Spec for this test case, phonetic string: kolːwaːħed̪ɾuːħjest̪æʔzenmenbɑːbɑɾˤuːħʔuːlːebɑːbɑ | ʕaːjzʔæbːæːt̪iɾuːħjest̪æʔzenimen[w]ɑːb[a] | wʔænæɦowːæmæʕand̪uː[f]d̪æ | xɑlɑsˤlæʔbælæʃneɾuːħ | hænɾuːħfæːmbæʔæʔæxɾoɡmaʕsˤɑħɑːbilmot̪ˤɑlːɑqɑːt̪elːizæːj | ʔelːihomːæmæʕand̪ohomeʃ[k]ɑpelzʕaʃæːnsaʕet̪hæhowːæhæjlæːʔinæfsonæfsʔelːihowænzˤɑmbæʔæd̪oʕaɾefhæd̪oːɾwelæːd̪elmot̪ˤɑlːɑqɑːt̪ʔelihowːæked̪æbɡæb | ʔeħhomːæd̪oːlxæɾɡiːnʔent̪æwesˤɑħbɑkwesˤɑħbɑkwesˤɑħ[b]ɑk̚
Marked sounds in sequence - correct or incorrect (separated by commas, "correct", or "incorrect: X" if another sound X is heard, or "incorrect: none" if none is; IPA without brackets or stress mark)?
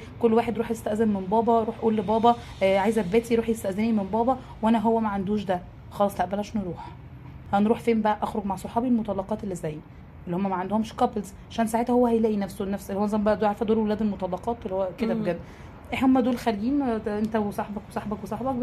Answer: incorrect: b, incorrect: ɑ, incorrect: ʃ, correct, correct